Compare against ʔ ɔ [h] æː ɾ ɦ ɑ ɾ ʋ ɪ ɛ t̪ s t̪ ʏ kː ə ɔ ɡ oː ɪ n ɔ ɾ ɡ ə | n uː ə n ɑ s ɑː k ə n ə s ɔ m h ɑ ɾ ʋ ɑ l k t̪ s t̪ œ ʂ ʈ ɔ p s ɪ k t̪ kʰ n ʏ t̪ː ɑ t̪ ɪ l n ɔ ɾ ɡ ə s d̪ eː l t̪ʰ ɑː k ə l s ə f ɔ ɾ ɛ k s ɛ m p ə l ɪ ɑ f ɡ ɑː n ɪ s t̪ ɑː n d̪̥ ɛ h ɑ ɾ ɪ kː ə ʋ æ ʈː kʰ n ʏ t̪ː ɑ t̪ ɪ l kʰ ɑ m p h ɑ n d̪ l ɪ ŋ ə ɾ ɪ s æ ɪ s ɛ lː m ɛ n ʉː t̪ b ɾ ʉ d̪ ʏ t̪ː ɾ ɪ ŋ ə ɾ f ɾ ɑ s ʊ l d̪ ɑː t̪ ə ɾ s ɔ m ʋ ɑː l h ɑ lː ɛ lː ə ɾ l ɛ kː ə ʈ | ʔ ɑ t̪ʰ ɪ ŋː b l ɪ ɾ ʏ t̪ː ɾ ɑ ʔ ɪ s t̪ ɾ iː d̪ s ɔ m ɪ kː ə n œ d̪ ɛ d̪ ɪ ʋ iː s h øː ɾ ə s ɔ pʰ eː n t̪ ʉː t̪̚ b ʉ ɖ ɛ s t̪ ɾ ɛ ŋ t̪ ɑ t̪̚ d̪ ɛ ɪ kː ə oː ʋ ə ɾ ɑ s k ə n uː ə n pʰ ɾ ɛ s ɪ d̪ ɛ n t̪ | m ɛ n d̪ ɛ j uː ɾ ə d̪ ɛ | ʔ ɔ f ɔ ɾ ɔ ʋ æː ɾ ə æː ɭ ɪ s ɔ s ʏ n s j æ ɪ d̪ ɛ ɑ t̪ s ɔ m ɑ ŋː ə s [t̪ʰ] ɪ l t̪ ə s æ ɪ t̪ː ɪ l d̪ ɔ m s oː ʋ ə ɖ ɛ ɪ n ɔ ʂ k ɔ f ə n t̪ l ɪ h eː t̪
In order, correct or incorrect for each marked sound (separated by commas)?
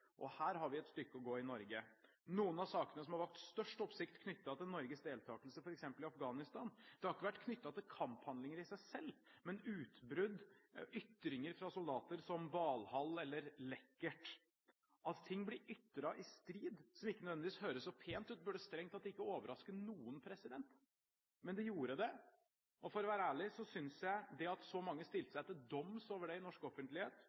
correct, incorrect